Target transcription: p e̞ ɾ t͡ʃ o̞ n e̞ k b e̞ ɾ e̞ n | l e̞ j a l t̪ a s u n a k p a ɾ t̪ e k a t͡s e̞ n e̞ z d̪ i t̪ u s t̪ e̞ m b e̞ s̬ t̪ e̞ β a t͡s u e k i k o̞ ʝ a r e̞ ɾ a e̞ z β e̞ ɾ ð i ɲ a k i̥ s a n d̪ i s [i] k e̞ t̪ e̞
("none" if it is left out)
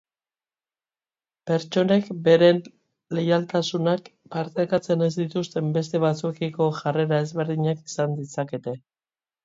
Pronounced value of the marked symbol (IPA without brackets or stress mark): a